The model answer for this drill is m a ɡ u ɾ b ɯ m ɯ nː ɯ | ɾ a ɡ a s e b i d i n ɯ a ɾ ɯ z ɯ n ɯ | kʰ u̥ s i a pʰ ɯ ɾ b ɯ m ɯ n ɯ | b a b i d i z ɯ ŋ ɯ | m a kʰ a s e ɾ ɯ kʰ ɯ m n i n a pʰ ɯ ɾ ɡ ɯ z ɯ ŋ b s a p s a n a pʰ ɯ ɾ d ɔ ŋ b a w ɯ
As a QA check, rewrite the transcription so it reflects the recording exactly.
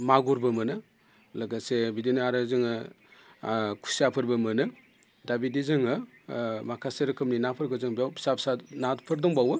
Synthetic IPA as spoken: m a ɡ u ɾ b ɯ m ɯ n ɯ | l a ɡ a s e b i d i n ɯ a ɾ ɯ z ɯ ŋ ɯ | kʰ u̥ s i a pʰ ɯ ɾ b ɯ m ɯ n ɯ | d a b i d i z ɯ ŋ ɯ | m a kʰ a s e ɾ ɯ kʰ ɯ m n i n a pʰ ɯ ɾ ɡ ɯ z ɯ ŋ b s a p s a n a pʰ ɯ ɾ d ɔ ŋ b a w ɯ